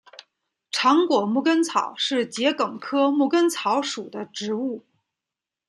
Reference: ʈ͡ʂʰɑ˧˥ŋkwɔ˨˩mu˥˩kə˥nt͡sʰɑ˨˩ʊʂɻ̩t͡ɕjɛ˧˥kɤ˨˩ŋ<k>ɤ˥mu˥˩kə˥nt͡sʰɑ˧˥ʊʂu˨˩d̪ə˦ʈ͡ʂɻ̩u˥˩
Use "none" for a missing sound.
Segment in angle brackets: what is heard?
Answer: kʰ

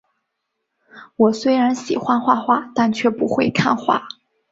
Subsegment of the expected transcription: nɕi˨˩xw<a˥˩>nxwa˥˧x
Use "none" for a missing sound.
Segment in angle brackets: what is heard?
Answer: a˥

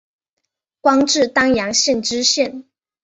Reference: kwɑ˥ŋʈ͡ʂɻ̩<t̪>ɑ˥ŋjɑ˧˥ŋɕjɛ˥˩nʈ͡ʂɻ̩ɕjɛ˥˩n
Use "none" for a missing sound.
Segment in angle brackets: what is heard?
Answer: t̪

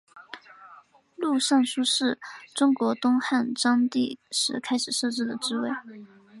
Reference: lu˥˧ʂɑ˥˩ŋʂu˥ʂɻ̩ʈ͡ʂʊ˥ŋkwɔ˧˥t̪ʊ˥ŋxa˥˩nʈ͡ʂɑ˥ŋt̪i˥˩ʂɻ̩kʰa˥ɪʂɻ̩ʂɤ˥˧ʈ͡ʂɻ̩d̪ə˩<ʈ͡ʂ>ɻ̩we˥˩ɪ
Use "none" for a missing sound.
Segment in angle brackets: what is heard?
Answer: ʈ͡ʂ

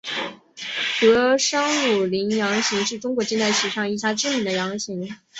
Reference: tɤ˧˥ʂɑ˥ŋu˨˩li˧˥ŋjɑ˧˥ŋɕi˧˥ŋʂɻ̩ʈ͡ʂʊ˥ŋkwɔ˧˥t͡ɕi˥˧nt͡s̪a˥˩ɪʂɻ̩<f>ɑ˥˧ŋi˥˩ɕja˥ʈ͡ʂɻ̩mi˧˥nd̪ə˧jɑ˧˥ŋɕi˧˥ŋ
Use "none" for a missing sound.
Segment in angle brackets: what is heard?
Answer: ʂ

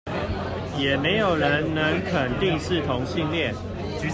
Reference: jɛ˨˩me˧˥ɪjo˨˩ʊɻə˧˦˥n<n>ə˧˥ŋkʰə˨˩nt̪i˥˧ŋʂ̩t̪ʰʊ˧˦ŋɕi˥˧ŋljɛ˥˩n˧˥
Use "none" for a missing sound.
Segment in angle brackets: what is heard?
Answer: n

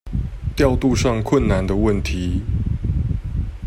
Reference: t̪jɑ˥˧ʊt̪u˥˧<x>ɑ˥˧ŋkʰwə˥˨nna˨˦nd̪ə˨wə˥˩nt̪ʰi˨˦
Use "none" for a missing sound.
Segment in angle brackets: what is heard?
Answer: ʂ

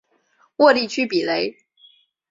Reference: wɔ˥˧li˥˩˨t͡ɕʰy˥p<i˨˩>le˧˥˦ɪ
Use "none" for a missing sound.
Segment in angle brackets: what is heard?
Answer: i˨˩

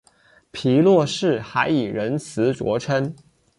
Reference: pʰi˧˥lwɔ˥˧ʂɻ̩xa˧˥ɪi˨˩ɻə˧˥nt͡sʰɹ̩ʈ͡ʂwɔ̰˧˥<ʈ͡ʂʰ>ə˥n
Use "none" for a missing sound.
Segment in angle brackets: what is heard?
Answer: ʈ͡ʂʰ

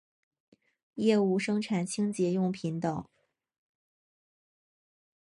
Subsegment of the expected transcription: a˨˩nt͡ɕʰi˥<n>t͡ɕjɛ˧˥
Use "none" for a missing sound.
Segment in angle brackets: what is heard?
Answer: ŋ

